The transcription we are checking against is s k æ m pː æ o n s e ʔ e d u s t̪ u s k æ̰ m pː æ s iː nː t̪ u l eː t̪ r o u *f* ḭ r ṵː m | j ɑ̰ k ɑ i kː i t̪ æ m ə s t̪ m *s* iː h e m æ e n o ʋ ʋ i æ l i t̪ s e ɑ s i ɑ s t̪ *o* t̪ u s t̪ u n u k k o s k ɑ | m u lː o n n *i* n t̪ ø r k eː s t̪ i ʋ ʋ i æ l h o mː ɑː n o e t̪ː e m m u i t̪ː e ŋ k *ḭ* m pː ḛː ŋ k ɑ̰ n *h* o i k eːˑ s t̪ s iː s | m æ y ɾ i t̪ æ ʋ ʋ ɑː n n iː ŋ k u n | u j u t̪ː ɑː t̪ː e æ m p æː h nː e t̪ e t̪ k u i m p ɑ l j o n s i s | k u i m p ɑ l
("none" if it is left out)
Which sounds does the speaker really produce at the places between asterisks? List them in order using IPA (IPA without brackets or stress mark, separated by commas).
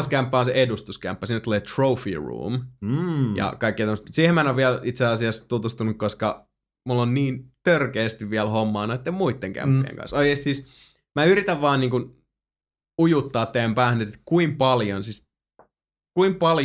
f, s, u, iː, æ̰, s